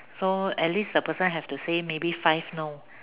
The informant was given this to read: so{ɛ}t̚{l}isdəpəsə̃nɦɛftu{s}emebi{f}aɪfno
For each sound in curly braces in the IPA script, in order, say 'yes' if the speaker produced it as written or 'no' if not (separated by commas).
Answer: yes, yes, yes, yes